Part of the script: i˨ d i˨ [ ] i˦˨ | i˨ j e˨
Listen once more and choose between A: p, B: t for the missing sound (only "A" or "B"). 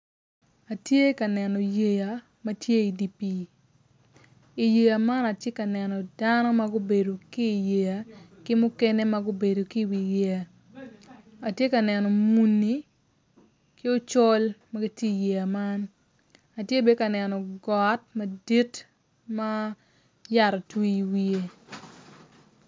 A